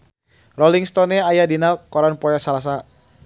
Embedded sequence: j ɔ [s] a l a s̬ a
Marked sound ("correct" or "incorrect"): correct